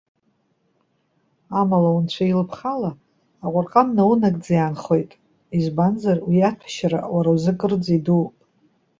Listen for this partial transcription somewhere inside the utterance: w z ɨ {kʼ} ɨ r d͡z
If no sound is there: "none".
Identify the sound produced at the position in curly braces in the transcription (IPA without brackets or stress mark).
kʼ